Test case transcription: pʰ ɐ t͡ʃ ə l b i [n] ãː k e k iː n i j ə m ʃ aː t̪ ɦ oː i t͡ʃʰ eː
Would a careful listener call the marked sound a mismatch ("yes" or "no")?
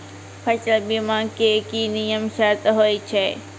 yes